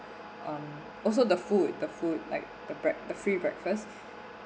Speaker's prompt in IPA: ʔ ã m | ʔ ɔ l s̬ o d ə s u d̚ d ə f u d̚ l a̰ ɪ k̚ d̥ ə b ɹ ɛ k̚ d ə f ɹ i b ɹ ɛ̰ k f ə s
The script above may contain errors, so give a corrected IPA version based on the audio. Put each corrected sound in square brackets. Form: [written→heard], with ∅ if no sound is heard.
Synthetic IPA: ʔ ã m | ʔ ɔ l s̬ o d ə [s→f] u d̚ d ə f u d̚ l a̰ ɪ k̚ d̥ ə b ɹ ɛ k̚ d ə f ɹ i b ɹ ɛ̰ k f ə s